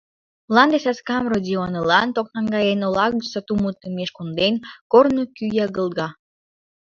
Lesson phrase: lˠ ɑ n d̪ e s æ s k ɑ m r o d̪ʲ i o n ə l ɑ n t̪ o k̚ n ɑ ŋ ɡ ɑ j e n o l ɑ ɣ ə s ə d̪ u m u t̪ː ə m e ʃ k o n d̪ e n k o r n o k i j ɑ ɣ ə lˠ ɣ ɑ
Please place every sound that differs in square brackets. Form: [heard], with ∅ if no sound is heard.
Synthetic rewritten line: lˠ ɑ n d̪ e s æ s k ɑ m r o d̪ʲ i o n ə l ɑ n t̪ o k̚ n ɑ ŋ ɡ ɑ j e n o l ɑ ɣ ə s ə [t̪] u m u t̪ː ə m e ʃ k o n d̪ e n k o r n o k [y] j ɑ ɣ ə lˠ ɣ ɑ